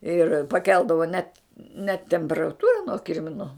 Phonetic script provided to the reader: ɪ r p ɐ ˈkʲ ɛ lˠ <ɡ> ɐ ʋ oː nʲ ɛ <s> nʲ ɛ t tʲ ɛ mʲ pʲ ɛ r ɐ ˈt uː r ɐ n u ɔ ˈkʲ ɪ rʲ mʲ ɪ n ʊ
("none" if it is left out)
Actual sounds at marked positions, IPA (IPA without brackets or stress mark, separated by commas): d, t